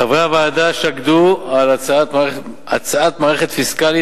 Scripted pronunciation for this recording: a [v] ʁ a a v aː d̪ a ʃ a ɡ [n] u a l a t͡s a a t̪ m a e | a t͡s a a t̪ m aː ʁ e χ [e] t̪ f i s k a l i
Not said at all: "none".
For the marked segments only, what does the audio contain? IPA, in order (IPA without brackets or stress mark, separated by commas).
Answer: v, d, e